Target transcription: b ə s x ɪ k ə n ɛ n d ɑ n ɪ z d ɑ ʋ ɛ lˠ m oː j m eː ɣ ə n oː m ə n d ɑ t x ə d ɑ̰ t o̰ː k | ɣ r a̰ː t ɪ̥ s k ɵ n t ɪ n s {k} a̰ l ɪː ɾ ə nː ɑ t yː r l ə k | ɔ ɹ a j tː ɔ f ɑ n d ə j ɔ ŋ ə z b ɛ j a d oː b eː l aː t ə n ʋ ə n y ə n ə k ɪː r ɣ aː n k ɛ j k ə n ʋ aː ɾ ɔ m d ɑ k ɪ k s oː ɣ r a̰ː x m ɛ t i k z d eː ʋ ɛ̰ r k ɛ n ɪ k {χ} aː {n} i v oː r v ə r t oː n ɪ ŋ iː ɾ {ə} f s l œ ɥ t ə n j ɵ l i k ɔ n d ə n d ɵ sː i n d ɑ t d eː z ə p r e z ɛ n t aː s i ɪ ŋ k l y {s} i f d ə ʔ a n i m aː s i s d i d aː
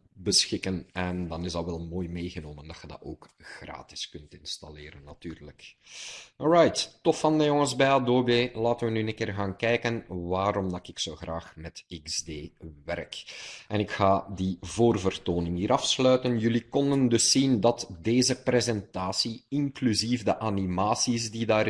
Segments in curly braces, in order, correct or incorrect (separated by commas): incorrect, incorrect, incorrect, incorrect, incorrect